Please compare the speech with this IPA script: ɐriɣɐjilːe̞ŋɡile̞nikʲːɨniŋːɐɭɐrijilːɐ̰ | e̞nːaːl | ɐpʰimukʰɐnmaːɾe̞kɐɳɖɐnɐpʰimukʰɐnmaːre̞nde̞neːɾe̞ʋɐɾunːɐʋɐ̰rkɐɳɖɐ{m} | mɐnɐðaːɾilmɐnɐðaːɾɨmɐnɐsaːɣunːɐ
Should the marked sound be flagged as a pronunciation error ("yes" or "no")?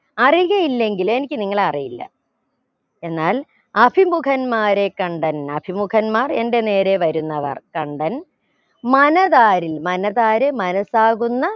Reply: yes